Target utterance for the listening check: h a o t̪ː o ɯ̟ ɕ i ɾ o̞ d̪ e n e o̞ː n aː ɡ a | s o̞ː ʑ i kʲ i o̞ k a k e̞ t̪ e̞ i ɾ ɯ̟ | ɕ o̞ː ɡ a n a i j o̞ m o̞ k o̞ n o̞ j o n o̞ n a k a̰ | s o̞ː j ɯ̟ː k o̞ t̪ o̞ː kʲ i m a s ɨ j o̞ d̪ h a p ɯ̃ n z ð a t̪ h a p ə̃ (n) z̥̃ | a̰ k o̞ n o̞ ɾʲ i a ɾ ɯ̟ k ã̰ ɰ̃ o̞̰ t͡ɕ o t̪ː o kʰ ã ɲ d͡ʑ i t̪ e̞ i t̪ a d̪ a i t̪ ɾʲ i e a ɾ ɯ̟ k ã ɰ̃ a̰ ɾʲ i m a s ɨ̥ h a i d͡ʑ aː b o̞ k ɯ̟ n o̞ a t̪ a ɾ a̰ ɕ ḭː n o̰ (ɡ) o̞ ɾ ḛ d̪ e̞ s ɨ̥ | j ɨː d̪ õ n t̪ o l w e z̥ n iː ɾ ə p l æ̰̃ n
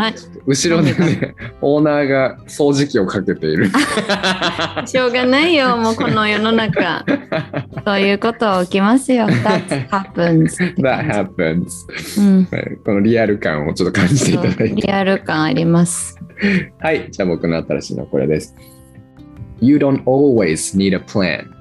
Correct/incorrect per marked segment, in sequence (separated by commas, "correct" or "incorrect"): correct, incorrect